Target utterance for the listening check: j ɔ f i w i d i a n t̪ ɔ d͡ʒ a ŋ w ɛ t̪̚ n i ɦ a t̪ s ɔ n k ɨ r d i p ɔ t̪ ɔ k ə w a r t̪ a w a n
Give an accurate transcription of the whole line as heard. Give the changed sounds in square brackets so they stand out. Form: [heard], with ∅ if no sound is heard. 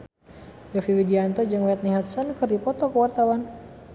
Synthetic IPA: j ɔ f i w i d i a n t̪ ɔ d͡ʒ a ŋ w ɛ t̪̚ n i ɦ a t̪ s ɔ n k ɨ r d i p ɔ t̪ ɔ k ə w a r t̪ a w a n